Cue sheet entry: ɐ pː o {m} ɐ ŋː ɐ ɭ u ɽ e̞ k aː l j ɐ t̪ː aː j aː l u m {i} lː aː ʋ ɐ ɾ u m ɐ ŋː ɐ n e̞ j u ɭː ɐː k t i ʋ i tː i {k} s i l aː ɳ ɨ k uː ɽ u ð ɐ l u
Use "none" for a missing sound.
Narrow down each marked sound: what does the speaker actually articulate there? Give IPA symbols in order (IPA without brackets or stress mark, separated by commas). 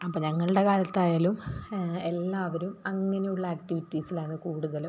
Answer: ɲ, e, none